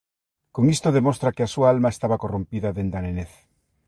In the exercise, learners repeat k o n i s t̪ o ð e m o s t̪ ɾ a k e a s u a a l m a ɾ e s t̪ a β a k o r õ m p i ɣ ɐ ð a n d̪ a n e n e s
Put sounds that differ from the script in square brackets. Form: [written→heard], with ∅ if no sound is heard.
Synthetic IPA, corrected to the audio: k o [n→ŋ] i s t̪ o ð e m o s t̪ ɾ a k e a s u a a l m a [ɾ→∅] e s t̪ a β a k o r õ m p i [ɣ→ð] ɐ ð [a→e] n d̪ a n e n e [s→θ]